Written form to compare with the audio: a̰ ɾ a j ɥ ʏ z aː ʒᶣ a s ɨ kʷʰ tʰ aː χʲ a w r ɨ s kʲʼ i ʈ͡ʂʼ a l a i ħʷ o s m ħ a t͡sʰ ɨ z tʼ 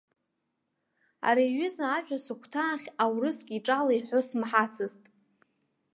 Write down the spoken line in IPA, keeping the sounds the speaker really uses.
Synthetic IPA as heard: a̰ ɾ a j ɥ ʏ z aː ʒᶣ a s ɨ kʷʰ tʰ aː χʲ a w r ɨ s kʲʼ i ʈ͡ʂʼ a l a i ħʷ o s m ħ a t͡sʰ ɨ z tʼ